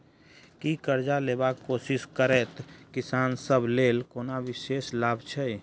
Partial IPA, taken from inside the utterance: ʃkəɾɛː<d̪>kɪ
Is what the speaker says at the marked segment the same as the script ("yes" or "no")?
no